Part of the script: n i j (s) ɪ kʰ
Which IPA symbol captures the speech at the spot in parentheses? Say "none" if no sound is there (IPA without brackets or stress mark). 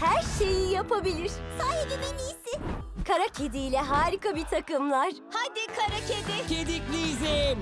s